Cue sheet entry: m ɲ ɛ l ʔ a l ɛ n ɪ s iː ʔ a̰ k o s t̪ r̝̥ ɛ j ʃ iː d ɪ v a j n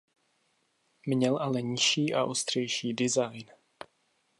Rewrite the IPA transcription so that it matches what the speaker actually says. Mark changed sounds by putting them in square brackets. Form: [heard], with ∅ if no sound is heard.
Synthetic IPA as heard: m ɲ ɛ l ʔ a l ɛ [ɲ] ɪ [ʃ] iː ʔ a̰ [ʔ] o s t̪ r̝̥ ɛ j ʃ iː d ɪ [z] a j n

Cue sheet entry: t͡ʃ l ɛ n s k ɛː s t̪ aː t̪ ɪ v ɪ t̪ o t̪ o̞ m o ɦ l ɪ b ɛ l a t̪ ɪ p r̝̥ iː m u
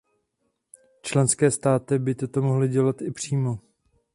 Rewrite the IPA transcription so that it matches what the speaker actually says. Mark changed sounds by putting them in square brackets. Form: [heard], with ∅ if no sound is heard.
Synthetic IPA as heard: t͡ʃ l ɛ n s k ɛː s t̪ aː t̪ ɪ [b] ɪ t̪ o t̪ o̞ m o ɦ l ɪ [ɟ] ɛ l a t̪ ɪ p r̝̥ iː m [o]

